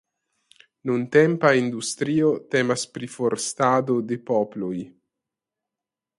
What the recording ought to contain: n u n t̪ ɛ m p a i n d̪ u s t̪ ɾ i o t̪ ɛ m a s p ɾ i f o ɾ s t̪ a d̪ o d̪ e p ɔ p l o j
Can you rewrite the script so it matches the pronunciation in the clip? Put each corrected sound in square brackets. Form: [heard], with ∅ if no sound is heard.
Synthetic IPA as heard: n u n t̪ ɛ m p a i n d̪ u s t̪ ɾ i o t̪ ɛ m a s p ɾ i f o ɾ s t̪ a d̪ o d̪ e p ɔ p l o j